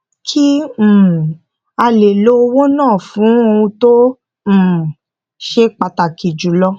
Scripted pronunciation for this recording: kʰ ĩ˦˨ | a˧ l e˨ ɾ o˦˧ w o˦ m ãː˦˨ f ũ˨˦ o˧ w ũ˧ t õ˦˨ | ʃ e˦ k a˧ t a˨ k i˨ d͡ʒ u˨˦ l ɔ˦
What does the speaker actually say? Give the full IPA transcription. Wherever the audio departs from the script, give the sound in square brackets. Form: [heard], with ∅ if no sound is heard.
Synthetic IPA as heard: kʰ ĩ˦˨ | a˧ l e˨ [l] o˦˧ w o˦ [n] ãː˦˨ f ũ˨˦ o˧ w ũ˧ t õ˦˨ | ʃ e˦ [k͡p] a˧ t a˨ k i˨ d͡ʒ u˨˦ l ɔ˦